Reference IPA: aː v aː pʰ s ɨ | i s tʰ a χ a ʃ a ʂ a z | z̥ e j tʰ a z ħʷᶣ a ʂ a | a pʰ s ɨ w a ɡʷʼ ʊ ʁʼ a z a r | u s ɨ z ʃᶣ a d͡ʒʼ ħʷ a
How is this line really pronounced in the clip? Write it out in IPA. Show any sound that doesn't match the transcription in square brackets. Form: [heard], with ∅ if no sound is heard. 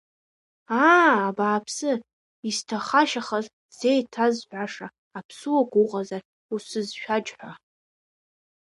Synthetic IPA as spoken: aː [b] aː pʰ s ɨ | i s tʰ a χ a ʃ a [χ] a z | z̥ e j tʰ a z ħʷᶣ a ʂ a | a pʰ s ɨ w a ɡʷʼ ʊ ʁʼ a z a r | u s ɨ z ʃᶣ a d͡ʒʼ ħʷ a